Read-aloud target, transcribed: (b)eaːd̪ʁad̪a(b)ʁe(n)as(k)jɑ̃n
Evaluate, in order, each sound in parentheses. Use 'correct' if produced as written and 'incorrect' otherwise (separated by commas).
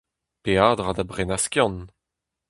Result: incorrect, correct, correct, correct